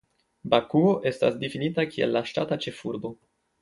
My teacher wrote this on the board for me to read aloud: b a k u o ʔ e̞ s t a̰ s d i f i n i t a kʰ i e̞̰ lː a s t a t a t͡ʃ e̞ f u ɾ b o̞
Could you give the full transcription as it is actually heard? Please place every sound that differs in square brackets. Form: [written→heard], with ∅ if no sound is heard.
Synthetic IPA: b a k u o ʔ e̞ s t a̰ s d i f i n i t a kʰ i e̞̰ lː a [s→ʃ] t a t a t͡ʃ e̞ f u ɾ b o̞